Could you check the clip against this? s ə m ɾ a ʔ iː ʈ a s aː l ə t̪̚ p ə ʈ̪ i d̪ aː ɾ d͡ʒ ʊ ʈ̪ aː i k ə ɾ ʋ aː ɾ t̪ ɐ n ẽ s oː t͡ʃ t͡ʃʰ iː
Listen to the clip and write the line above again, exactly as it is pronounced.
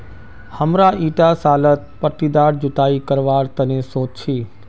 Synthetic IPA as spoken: h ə m ɾ a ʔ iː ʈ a s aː l ə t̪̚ p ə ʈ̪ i d̪ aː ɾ d͡ʒ ʊ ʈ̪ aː i k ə ɾ ʋ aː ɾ t̪ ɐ n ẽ s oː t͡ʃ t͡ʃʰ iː